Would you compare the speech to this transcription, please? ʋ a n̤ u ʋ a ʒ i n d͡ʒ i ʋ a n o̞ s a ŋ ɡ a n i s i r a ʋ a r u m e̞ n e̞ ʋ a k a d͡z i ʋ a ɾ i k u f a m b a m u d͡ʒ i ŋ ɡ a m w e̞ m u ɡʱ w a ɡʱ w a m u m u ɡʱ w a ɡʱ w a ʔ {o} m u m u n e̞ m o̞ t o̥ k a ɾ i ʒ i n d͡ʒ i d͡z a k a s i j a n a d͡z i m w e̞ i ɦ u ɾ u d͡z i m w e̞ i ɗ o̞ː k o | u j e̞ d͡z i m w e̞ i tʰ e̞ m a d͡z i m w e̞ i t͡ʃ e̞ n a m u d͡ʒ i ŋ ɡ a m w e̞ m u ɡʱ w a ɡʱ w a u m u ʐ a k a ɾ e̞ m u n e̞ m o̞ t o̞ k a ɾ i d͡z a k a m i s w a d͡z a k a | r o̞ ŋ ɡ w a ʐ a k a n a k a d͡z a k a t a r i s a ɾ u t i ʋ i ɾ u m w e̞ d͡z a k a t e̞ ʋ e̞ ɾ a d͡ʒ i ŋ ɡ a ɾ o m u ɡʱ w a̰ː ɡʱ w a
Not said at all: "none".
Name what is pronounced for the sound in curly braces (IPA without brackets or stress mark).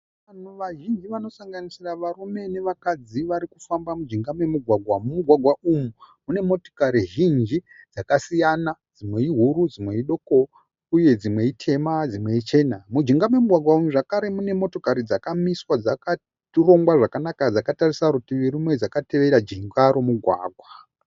u